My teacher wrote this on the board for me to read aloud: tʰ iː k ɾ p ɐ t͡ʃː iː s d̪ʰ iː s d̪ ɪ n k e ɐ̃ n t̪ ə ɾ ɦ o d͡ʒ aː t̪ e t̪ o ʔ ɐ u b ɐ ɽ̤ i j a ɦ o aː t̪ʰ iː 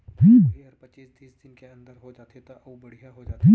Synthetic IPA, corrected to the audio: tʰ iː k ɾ p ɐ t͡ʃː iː s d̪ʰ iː s d̪ ɪ n k e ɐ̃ n d̪ ə ɾ ɦ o d͡ʒ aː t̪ e t̪ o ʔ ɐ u b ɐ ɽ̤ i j a ɦ o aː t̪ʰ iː